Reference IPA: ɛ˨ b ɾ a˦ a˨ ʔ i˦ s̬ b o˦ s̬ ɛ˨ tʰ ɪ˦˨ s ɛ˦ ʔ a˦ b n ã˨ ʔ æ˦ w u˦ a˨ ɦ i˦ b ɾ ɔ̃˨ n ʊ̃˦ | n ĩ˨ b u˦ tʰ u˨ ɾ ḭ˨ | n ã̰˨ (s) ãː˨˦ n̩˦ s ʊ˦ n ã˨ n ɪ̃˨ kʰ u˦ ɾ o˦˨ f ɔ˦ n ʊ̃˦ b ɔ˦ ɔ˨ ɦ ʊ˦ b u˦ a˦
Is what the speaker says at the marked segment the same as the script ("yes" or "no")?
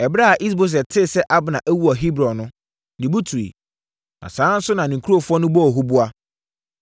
yes